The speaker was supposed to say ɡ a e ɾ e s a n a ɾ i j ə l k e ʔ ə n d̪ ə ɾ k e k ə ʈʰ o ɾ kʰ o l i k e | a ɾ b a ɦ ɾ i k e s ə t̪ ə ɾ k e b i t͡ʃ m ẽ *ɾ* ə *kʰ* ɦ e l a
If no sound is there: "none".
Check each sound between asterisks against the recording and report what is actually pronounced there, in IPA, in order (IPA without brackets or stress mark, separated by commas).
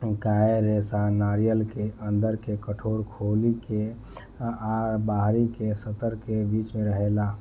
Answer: ɾ, none